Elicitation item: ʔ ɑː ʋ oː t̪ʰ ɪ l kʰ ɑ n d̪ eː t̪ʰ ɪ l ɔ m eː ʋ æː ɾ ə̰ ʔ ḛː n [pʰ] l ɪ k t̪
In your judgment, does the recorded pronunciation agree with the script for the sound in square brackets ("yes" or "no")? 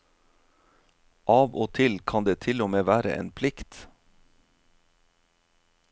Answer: yes